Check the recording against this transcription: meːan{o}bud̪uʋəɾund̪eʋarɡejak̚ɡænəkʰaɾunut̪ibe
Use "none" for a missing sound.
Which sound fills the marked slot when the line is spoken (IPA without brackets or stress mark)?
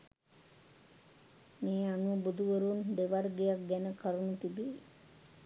u